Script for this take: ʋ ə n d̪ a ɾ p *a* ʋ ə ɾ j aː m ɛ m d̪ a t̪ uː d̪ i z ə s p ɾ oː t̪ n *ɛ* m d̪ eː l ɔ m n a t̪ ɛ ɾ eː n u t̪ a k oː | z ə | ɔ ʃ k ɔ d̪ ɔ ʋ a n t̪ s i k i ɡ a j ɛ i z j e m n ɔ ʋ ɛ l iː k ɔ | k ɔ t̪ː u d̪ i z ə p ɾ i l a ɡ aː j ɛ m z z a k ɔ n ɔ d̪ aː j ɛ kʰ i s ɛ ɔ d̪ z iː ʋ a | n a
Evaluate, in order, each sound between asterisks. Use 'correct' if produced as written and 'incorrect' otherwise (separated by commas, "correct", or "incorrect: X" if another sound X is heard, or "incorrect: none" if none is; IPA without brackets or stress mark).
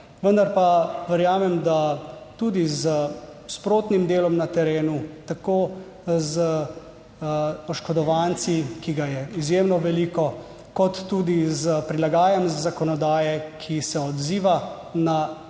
correct, incorrect: i